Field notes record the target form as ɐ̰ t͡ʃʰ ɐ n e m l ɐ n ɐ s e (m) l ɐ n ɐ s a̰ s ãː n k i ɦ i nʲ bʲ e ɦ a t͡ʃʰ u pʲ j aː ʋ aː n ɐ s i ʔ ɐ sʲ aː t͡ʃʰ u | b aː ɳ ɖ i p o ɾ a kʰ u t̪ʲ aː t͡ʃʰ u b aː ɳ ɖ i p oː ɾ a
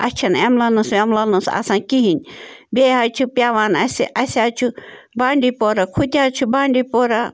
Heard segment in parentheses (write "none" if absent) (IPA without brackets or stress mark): m